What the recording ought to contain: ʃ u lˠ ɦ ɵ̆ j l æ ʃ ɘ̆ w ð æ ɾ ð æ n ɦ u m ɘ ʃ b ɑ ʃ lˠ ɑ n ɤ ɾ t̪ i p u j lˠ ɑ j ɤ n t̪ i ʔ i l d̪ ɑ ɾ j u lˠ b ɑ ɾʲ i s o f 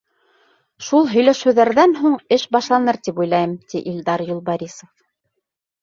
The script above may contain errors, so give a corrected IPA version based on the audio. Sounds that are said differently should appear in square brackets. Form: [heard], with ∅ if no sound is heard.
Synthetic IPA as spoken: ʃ u lˠ ɦ ɵ̆ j l æ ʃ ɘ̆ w ð æ ɾ ð æ n ɦ u [ɴ] ɘ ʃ b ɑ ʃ lˠ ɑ n ɤ ɾ t̪ i p u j lˠ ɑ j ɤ [m] t̪ i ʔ i l d̪ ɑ ɾ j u lˠ b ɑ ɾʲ i s o f